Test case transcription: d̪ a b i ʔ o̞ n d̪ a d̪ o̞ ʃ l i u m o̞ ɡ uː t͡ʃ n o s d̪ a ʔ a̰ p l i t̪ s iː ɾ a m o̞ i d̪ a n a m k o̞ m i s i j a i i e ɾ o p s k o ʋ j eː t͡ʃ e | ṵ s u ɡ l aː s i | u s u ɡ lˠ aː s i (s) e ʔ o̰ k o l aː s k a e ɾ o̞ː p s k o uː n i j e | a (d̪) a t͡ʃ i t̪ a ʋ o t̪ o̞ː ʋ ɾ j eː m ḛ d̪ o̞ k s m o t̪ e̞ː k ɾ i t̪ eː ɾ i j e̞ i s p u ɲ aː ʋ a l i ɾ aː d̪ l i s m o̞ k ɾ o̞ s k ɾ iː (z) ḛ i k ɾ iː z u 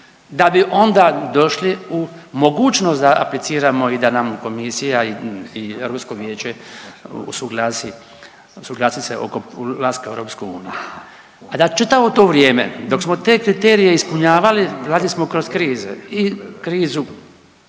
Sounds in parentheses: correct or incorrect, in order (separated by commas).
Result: correct, correct, correct